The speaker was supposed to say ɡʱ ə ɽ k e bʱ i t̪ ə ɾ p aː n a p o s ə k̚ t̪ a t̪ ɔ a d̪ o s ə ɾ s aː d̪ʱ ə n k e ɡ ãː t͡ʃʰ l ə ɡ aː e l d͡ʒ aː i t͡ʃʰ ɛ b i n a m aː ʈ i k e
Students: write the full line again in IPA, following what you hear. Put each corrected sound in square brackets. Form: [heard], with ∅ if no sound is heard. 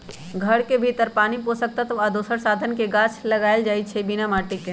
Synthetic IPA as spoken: ɡʱ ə ɽ k e bʱ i t̪ ə ɾ p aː n [i] p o s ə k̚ t̪ a t̪ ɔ a d̪ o s ə ɾ s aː d̪ʱ ə n k e ɡ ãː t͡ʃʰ l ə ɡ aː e l d͡ʒ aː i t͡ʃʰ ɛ b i n a m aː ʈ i k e